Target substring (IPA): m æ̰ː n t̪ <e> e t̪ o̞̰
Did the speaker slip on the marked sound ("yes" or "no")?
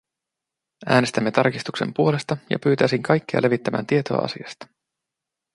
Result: yes